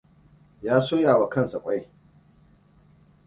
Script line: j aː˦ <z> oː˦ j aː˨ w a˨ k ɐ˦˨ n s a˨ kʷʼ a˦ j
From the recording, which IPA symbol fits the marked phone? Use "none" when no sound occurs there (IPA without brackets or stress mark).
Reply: s